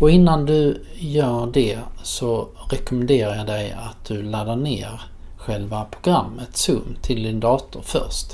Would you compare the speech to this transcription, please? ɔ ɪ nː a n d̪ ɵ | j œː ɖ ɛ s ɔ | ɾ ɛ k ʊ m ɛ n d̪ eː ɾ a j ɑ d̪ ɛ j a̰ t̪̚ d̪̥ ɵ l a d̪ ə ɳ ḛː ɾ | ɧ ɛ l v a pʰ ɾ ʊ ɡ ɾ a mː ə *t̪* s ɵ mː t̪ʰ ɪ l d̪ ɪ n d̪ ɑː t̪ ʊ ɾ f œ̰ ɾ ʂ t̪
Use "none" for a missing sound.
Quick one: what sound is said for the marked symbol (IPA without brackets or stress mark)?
t̪